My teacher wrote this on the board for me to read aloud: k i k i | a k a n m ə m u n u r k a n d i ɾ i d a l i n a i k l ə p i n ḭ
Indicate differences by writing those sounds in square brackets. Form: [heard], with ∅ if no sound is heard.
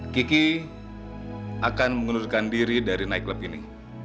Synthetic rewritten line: k i k i | a k a n m ə [ŋ] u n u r k a n d i ɾ i d a [ɾ] i n a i k l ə p i n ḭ